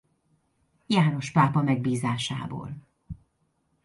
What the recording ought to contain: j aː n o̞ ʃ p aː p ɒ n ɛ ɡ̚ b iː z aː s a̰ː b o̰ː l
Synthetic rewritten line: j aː n o̞ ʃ p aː p ɒ m ɛ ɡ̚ b iː z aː ʃ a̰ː b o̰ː l